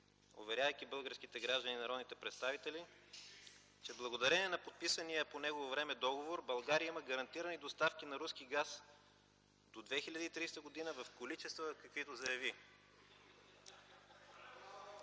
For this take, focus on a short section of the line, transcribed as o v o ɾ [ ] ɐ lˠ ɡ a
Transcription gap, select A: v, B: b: B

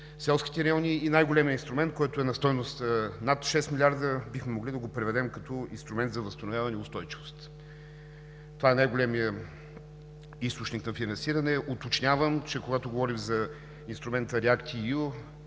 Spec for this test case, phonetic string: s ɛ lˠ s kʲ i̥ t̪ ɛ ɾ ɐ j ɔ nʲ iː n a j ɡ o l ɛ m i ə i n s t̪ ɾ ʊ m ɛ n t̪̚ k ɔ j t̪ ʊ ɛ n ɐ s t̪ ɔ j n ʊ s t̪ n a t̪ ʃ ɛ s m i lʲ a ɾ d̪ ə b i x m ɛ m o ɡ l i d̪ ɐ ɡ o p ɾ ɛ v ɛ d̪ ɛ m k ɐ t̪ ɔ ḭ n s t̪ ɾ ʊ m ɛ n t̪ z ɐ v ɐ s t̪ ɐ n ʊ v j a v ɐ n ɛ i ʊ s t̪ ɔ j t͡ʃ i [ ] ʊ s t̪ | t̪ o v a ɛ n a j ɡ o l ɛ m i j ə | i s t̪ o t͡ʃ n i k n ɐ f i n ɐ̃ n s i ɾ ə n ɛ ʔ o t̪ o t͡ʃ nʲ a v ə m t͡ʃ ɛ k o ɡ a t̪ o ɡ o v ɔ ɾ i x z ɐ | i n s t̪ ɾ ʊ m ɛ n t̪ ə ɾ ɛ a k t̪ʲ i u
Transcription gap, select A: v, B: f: A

